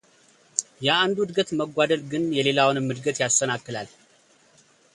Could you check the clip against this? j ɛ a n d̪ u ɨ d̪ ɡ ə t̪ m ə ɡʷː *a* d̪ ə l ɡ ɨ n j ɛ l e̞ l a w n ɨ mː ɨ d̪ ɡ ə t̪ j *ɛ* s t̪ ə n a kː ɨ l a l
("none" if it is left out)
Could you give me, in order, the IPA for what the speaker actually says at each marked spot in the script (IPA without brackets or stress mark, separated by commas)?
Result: a, a